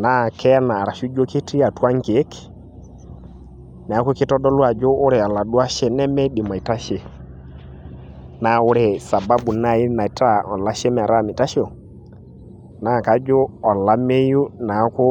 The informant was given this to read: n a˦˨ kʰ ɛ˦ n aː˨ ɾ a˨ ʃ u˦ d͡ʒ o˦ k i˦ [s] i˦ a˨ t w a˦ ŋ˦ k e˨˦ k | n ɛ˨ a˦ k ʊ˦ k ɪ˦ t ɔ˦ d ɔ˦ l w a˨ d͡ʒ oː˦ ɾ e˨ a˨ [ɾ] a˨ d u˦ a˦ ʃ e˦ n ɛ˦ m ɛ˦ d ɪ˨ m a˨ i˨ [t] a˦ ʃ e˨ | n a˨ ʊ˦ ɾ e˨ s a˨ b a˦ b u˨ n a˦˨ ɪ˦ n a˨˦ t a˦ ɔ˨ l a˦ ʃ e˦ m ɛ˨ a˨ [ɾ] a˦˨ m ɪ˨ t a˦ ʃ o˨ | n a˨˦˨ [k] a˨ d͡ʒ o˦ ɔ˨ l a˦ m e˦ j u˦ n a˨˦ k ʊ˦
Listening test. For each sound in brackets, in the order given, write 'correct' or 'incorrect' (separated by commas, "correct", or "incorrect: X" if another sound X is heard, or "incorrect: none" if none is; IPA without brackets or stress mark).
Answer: incorrect: t, incorrect: l, correct, correct, correct